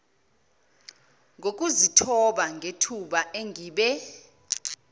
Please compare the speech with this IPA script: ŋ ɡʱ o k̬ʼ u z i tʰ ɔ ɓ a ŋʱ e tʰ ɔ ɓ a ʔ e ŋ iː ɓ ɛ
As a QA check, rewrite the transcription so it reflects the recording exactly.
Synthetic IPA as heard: ŋ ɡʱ o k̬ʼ u z i tʰ ɔ ɓ a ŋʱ e tʰ u ɓ a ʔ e ŋ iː ɓ ɛ